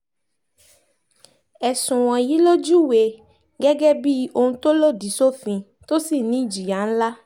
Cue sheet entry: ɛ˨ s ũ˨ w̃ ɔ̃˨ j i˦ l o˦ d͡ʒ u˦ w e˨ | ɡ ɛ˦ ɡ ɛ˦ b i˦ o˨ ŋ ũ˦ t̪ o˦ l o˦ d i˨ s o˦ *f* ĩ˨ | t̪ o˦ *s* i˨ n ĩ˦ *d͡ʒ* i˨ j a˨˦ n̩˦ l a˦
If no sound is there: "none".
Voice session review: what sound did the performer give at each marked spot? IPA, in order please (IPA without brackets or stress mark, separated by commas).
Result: f, s, d͡ʒ